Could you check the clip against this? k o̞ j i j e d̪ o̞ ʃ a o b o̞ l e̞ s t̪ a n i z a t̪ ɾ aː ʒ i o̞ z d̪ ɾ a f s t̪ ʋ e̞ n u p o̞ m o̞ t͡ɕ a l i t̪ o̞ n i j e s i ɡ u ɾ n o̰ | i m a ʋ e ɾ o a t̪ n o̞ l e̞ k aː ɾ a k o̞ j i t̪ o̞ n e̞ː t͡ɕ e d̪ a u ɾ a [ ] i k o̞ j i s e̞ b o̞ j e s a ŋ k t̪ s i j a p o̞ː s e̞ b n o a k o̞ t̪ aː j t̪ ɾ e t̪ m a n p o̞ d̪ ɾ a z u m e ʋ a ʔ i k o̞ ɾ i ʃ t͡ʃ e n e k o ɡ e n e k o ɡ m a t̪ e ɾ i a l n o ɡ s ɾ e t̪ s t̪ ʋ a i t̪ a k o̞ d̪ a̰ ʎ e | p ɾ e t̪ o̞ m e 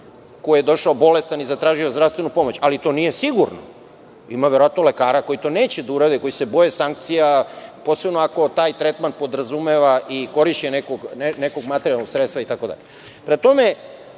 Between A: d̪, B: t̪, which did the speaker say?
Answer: A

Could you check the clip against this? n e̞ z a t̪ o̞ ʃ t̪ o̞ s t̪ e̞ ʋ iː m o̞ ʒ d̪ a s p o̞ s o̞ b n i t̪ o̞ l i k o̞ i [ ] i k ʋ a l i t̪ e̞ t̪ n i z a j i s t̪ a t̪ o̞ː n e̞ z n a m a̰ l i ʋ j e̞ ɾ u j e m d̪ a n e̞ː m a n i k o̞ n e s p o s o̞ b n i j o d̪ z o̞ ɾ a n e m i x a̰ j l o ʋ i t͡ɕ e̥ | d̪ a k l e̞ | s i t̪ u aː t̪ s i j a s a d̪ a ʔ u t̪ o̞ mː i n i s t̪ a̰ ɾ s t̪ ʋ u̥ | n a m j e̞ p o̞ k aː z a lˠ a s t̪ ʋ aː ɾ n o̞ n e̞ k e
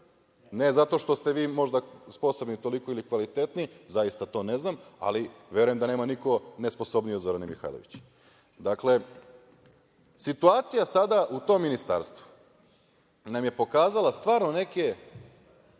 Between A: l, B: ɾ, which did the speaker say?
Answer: A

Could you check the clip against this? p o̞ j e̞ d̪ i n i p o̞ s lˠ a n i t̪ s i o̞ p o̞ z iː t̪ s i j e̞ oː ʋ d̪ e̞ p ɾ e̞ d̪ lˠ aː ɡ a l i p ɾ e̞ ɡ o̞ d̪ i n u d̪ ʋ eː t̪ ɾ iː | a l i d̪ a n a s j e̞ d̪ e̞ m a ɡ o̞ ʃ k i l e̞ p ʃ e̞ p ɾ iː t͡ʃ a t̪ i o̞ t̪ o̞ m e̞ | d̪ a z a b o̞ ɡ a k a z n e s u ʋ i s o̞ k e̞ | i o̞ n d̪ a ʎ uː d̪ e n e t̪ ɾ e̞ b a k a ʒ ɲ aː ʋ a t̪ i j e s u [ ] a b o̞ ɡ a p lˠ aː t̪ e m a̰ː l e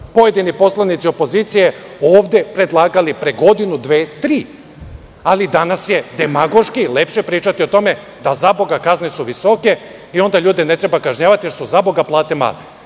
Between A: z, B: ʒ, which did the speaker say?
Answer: A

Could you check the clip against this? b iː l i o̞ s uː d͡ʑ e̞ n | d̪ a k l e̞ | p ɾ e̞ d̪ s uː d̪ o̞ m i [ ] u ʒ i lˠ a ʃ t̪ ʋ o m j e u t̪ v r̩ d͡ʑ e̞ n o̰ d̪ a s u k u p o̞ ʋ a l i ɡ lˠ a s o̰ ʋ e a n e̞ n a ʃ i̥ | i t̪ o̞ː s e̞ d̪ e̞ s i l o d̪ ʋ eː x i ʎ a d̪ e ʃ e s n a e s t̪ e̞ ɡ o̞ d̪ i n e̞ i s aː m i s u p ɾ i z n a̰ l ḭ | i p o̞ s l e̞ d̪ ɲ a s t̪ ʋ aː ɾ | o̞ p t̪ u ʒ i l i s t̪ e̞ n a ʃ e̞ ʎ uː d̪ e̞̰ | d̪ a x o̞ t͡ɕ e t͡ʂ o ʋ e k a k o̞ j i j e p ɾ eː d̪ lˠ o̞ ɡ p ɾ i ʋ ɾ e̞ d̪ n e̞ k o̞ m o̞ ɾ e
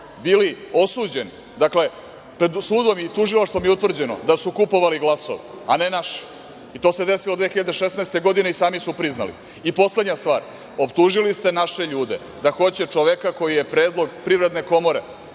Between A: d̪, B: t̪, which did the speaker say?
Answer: B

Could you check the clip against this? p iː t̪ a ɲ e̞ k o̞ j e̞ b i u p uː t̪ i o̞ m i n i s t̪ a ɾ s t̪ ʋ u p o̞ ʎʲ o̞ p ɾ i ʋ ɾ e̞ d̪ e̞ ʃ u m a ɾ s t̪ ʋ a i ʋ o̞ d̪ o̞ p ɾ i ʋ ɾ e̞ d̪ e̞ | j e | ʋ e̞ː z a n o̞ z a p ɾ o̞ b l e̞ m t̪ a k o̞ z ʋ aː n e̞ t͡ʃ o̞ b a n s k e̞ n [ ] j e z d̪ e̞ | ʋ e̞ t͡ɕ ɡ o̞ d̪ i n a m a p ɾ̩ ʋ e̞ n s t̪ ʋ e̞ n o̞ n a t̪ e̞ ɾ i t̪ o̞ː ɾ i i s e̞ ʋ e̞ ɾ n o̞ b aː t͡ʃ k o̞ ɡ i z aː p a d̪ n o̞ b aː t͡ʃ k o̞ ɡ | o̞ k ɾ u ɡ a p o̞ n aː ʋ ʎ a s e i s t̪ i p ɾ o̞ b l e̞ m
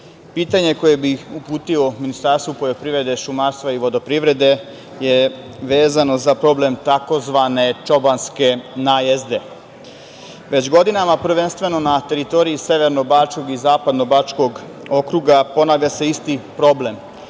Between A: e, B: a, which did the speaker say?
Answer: B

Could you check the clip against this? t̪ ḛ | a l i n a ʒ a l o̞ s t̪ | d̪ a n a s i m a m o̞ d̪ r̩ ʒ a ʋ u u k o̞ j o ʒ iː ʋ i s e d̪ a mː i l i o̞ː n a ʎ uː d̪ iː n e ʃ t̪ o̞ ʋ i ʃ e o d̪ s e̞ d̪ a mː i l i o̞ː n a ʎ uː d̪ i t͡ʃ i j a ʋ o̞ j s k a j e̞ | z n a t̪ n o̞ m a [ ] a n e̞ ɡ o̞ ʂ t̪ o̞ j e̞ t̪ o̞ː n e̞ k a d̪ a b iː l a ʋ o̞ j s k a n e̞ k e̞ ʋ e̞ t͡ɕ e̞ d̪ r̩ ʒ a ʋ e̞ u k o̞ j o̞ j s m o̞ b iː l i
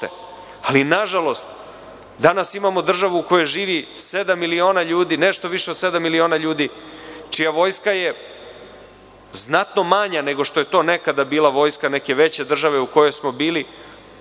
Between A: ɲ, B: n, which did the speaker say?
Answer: A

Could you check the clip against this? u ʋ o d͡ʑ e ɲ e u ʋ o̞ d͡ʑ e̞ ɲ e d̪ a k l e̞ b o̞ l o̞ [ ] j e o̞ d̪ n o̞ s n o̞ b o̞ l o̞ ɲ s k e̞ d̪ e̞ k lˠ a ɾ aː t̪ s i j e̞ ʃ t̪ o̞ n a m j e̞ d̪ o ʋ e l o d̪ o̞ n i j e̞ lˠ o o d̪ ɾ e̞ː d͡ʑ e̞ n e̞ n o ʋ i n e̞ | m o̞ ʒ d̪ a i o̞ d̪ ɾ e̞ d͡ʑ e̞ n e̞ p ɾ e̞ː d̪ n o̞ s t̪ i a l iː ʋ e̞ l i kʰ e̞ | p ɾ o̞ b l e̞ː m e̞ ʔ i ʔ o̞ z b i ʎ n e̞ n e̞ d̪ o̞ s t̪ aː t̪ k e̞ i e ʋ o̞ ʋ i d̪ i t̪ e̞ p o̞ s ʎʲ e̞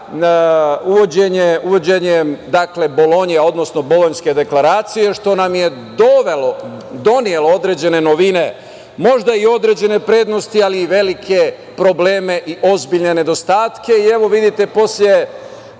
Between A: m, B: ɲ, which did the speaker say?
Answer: B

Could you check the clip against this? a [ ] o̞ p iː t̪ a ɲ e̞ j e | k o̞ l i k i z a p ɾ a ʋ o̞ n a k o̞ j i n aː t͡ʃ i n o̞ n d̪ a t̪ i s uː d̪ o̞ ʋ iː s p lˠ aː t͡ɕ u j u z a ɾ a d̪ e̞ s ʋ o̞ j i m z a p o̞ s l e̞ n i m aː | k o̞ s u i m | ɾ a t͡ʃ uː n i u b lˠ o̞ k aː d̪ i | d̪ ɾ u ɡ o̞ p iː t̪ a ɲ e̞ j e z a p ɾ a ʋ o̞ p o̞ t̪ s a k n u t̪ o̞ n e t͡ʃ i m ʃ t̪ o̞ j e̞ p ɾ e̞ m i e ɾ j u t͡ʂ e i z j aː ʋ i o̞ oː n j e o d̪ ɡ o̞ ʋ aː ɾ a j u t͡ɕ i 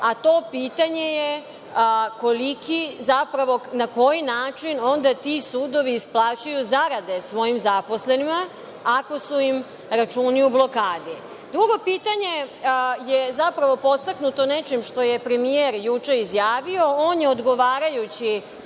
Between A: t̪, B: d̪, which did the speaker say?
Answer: A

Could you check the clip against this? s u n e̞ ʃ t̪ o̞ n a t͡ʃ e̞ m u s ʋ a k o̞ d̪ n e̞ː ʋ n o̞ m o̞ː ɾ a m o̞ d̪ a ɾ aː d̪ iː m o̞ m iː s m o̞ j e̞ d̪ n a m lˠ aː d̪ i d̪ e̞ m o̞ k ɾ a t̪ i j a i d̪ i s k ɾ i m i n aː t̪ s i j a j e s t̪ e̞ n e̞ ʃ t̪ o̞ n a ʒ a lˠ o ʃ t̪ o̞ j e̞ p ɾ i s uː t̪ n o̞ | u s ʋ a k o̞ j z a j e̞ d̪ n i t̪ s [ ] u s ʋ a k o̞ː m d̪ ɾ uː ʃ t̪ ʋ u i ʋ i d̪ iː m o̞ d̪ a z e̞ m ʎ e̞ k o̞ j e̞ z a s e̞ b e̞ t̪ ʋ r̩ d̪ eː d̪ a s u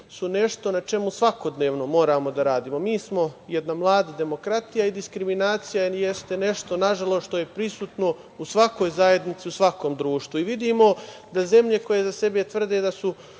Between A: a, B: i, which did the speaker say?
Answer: B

